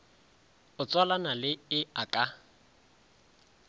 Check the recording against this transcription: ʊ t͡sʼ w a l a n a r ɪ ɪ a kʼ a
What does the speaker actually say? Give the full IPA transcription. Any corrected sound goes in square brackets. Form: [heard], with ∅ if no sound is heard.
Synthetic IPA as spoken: ʊ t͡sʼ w a l a n a [l] ɪ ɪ a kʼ a